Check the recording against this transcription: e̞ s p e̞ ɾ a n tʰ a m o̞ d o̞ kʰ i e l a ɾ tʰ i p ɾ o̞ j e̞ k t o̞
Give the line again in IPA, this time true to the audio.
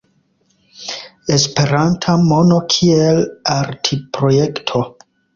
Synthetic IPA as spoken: e̞ s p e̞ ɾ a n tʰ a m o̞ n o̞ kʰ i e l a ɾ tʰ i p ɾ o̞ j e̞ k tʰ o̞